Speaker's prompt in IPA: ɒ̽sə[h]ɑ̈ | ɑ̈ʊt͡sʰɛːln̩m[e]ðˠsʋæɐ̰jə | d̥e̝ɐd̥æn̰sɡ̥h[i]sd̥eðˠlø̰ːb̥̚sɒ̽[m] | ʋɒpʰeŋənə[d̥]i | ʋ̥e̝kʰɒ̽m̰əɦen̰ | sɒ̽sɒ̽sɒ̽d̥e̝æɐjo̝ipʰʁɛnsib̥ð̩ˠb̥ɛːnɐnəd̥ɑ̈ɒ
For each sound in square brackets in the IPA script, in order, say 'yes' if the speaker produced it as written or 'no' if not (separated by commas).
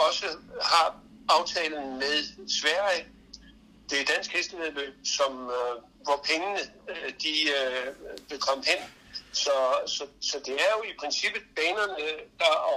yes, yes, no, yes, yes